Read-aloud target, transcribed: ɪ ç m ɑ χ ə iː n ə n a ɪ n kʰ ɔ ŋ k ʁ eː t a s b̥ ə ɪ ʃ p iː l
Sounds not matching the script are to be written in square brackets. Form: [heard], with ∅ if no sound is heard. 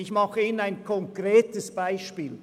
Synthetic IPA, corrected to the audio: ɪ ç m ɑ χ ə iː n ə n a ɪ n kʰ ɔ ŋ k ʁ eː t [ə] s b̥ [a] ɪ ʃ p iː l

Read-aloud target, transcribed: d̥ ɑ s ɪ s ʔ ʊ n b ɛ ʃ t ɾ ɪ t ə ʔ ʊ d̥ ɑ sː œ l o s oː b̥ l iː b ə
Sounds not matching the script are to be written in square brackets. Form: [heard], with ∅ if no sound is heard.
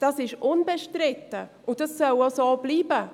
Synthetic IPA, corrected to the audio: d̥ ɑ s ɪ [ʃ] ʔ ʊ n b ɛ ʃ t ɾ ɪ t ə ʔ ʊ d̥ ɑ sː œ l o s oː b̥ l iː b ə

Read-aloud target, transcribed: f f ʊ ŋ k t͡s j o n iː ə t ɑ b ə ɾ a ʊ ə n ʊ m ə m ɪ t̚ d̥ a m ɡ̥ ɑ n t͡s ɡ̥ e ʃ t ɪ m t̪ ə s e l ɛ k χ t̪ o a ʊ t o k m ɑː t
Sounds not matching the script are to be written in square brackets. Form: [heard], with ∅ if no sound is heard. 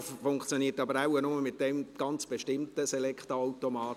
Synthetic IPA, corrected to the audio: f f ʊ ŋ k t͡s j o n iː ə t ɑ b ə ɾ a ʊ ə n ʊ m ə m ɪ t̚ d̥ [ɛ] m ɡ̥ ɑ n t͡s [b̥] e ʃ t ɪ m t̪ ə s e l ɛ k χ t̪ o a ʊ t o [∅] m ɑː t

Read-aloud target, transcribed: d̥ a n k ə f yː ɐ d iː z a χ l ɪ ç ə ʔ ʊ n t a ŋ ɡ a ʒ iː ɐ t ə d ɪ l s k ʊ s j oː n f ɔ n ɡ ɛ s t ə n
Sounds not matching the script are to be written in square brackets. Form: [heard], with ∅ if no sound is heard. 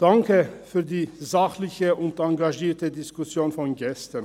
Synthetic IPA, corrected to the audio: d̥ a [ŋ] k ə f yː ɐ d iː z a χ l ɪ ç ə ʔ ʊ n t a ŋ ɡ a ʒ iː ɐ t ə d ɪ [∅] s k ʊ s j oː n f ɔ n ɡ ɛ s t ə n

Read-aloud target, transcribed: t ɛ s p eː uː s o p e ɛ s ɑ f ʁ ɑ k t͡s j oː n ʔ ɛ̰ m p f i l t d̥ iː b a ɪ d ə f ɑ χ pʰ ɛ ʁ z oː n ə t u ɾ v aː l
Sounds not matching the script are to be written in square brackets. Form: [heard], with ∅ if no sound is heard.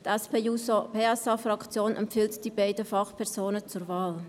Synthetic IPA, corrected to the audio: t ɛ s p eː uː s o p e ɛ s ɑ f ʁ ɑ k t͡s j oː n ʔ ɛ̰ m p f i l t d̥ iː b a ɪ d ə f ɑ χ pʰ ɛ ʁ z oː n ə [t͡s] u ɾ v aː l

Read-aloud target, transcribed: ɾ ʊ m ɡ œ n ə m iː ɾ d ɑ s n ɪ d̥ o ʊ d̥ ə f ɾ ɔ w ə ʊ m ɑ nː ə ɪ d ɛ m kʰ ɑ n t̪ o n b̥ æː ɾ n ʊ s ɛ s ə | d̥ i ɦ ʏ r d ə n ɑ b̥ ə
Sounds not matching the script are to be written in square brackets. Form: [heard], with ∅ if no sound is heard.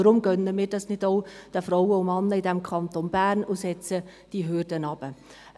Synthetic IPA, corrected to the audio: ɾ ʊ m ɡ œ n ə m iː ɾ d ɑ s n ɪ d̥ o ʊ d̥ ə f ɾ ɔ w ə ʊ m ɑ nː ə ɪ d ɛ m kʰ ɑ n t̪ o n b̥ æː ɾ n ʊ s ɛ [t͡s] ə | d̥ i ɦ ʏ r d ə n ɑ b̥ ə

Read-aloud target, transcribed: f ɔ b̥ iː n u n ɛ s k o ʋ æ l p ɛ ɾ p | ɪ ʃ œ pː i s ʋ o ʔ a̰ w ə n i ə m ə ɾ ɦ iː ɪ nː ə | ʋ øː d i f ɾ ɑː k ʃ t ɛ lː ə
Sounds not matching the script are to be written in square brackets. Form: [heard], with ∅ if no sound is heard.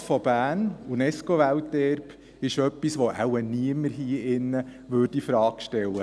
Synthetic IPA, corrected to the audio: f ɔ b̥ [æː] n u n ɛ s k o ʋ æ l [t] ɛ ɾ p | ɪ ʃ œ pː i s ʋ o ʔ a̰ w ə n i ə m ə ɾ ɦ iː ɪ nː ə | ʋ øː d i f ɾ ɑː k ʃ t ɛ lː ə

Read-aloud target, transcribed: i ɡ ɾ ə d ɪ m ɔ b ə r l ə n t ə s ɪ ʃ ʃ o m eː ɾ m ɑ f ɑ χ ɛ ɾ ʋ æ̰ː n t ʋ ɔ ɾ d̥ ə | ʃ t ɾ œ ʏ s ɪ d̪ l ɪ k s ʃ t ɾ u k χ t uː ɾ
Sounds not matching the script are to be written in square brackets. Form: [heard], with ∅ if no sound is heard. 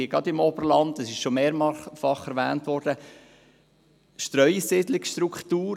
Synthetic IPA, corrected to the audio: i ɡ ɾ [ɑ] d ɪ m ɔ b ə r l [ɑ] n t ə s ɪ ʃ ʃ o m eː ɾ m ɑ f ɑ χ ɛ ɾ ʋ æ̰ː n t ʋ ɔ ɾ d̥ ə | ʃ t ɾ œ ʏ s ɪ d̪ l ɪ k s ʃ t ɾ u k χ t uː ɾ

